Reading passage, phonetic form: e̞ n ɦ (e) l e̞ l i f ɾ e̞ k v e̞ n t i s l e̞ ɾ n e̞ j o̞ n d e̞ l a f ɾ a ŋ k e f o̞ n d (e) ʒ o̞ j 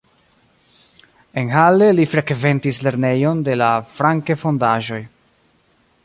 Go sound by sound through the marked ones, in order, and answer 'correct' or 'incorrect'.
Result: incorrect: a, incorrect: a

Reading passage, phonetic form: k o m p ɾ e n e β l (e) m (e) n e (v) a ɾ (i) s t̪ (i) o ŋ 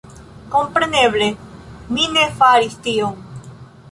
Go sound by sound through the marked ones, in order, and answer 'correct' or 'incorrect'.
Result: correct, incorrect: i, incorrect: f, correct, correct

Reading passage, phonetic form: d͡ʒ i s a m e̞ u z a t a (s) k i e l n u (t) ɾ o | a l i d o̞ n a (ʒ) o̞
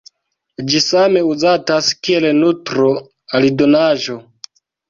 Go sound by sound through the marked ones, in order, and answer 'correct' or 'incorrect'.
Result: correct, correct, correct

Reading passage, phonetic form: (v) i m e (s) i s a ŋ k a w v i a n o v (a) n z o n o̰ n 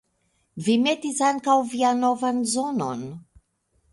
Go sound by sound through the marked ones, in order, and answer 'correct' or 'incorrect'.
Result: correct, incorrect: t, correct

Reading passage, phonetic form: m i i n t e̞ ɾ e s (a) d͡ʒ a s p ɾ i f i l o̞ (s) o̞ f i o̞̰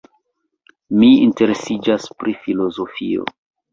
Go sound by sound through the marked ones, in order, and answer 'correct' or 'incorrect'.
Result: incorrect: i, incorrect: z

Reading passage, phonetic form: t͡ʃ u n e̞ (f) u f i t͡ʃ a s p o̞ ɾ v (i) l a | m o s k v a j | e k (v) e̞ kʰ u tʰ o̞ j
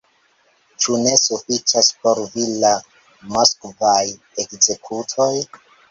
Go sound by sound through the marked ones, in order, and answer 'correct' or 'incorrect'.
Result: incorrect: s, correct, incorrect: z

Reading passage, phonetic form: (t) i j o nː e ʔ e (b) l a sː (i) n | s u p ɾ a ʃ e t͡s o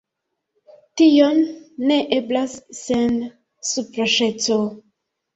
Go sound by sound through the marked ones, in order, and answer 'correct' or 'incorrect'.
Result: correct, correct, incorrect: e

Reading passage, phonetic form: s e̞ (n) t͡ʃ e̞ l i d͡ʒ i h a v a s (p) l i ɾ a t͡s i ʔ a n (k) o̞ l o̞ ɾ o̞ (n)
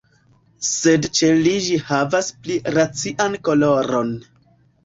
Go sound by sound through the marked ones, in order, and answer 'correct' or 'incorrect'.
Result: incorrect: d, correct, correct, correct

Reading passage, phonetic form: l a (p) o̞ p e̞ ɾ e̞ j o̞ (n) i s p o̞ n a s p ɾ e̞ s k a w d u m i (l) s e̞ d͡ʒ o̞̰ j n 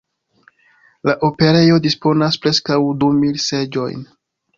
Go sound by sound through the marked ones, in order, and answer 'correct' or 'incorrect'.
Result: incorrect: ʔ, incorrect: d, correct

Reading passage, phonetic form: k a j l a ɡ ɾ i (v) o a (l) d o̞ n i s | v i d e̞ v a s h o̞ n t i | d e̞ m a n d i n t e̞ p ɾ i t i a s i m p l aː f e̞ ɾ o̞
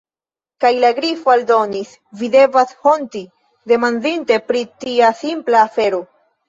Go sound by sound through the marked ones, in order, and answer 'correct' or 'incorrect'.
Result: incorrect: f, correct

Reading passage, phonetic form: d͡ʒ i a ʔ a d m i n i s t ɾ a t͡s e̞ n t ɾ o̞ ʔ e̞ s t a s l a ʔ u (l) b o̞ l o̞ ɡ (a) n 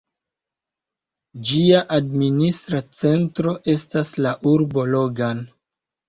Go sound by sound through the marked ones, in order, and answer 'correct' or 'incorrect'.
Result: incorrect: ɾ, correct

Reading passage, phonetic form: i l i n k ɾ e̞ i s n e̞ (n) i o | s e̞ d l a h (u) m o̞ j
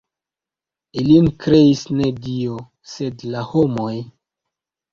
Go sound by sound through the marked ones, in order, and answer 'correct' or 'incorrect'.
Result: incorrect: d, incorrect: o

